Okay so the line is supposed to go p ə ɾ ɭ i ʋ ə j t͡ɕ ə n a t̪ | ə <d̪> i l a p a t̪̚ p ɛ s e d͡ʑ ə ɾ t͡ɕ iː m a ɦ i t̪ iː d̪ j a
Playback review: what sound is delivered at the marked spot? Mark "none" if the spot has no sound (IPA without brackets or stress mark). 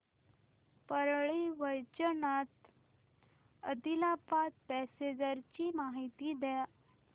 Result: d̪